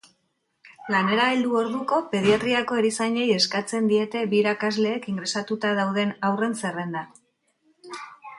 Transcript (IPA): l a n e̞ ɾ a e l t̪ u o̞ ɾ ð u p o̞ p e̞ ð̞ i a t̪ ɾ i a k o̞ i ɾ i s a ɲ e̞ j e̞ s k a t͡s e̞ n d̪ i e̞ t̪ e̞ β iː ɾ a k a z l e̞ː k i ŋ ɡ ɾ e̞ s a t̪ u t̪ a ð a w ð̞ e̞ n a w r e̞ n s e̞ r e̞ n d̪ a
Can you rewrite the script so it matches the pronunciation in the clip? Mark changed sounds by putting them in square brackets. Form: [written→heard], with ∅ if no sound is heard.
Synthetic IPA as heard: l a n e̞ ɾ a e l [t̪→d̪] u o̞ ɾ ð u [p→k] o̞ p e̞ ð̞ i a t̪ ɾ i a k o̞ [i→e] ɾ i s a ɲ e̞ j e̞ s k a t͡s e̞ n d̪ i e̞ t̪ e̞ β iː ɾ a k a z l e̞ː k i ŋ ɡ ɾ e̞ s a t̪ u t̪ a ð a w ð̞ e̞ n a w r e̞ n s e̞ r e̞ n d̪ a